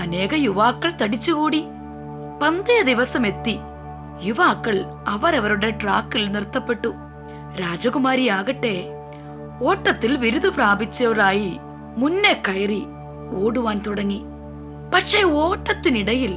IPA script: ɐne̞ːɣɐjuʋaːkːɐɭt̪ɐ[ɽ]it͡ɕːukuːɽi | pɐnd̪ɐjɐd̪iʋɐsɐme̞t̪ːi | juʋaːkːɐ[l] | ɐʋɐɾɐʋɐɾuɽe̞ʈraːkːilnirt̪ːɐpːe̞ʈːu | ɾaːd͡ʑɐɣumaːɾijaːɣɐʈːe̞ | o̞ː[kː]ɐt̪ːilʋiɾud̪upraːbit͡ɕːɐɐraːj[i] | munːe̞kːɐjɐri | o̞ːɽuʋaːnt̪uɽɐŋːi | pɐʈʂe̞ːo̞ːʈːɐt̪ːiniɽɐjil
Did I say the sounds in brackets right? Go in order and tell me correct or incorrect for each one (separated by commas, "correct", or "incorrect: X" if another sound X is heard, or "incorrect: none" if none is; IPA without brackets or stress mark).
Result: correct, incorrect: ɭ, incorrect: ʈː, correct